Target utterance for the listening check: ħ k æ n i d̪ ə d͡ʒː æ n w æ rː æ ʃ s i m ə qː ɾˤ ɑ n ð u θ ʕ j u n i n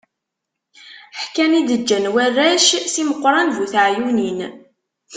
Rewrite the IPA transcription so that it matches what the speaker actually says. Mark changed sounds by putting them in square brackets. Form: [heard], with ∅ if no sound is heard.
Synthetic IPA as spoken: ħ k æ n i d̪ ə d͡ʒː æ n w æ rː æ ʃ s i m ə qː ɾˤ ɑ n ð u θ ʕ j u n i n